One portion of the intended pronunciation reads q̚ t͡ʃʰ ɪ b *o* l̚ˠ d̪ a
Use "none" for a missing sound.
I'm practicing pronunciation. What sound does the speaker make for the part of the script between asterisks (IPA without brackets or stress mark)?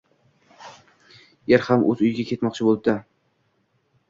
o